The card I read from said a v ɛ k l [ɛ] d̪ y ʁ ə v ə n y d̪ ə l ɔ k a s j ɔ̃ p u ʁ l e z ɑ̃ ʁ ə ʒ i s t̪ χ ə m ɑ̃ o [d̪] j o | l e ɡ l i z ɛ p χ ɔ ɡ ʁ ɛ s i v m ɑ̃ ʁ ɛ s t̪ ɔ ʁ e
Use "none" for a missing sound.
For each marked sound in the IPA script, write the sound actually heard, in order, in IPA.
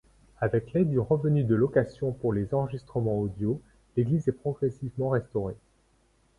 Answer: ɛ, d̪

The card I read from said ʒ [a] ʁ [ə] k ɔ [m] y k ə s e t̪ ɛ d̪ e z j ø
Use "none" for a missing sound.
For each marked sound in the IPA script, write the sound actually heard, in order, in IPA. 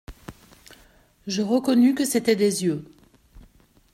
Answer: ə, ə, n

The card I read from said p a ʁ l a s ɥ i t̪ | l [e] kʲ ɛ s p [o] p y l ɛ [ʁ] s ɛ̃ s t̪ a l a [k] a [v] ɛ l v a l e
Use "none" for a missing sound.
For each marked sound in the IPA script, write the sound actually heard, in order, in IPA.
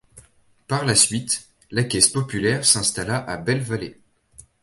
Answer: a, ɔ, ʁ, ʔ, b

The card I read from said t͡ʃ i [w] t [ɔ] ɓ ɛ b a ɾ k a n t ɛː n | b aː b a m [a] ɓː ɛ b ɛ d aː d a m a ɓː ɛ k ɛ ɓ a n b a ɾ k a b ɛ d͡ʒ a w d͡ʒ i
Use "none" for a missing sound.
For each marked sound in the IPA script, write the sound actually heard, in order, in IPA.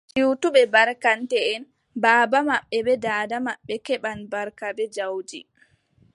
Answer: w, u, a

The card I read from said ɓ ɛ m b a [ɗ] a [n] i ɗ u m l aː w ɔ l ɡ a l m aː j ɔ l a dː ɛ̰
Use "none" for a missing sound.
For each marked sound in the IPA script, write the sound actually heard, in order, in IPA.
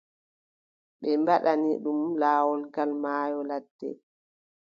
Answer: ɗ, n

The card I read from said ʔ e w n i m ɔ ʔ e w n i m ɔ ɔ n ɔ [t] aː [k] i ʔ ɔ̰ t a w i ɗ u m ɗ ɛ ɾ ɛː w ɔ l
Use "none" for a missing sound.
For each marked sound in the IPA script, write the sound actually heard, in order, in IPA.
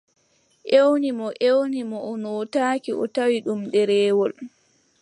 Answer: t, k

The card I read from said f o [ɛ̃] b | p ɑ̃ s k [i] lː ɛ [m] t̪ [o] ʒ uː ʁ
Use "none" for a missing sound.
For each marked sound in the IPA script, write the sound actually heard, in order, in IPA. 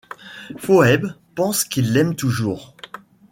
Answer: ɛ, i, m, u

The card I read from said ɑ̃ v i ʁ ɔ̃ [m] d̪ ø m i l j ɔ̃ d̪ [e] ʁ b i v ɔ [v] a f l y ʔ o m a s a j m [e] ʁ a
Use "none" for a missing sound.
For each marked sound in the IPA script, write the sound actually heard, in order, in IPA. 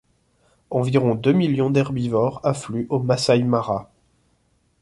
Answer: none, ɛ, ʁ, a

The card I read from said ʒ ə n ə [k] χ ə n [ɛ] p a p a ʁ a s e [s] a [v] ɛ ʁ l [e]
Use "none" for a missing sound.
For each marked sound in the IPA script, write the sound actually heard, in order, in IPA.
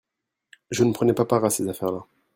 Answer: p, ɛ, z, f, a

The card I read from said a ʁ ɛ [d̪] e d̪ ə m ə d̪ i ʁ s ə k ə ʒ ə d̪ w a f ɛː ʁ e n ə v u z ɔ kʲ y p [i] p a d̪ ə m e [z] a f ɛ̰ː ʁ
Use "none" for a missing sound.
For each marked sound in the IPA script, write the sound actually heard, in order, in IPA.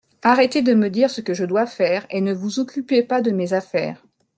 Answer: t̪, e, z

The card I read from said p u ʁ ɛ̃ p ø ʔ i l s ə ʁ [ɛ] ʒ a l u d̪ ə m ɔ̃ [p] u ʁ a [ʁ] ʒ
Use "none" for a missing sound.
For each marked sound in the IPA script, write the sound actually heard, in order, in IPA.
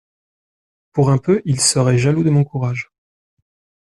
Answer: ɛ, k, none

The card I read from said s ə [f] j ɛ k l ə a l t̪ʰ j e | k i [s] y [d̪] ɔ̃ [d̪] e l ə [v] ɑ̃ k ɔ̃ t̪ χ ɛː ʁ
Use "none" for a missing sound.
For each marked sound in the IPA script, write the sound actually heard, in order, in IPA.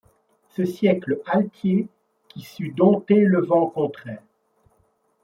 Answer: s, s, d̪, t̪, v

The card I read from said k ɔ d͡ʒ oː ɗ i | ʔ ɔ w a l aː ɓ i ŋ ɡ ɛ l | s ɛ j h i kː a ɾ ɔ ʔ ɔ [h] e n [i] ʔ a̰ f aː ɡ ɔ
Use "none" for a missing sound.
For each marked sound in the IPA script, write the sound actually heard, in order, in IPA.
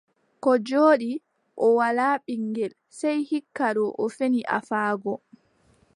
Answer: f, i

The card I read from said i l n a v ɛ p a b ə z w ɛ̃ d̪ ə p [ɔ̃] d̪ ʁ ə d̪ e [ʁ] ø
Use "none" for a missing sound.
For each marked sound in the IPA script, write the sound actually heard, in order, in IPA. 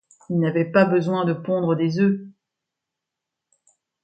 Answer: ɔ̃, z

